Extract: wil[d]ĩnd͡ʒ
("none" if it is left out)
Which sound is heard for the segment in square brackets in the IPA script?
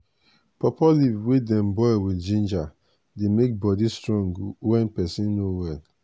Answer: d͡ʒ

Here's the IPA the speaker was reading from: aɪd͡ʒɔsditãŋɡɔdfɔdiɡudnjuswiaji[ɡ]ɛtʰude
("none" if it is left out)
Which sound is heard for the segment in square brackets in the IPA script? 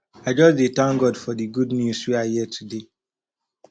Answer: none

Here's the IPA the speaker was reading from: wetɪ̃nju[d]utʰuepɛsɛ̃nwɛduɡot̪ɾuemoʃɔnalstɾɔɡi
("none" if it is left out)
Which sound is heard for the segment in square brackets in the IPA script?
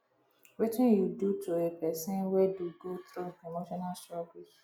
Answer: d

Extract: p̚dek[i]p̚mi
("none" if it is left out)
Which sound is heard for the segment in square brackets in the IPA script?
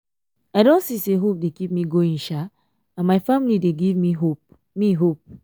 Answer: i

